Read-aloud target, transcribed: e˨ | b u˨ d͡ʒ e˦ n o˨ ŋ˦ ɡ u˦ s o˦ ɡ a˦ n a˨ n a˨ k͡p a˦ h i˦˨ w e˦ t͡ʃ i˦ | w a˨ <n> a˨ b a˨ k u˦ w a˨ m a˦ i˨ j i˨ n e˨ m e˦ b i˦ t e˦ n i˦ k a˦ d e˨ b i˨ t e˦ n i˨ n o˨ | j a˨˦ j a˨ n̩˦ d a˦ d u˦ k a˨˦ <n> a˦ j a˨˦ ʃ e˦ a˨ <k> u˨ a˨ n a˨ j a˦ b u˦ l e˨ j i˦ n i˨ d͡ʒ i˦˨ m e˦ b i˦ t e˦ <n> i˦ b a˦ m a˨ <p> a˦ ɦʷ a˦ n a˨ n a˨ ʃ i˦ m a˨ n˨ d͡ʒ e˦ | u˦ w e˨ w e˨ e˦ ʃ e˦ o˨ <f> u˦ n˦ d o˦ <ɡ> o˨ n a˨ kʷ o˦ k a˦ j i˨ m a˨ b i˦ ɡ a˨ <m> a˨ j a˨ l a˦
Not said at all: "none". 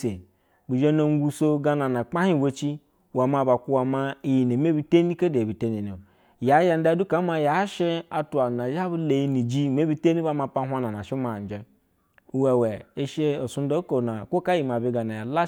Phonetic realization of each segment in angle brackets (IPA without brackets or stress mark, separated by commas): m, m, t, n, p, s, k, n